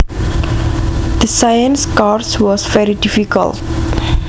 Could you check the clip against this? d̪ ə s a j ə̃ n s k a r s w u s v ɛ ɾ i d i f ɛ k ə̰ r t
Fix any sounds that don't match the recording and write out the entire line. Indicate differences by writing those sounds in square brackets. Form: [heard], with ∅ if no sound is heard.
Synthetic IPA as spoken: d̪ ə s a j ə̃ n s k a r s w [ɔ] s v ɛ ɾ i d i f [i] k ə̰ [l] t